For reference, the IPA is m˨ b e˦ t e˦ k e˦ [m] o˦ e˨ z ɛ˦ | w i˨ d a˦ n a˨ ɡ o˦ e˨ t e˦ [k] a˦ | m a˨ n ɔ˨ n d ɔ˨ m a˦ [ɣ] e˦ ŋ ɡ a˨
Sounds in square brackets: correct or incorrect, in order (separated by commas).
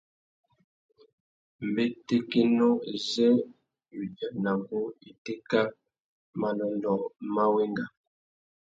incorrect, correct, incorrect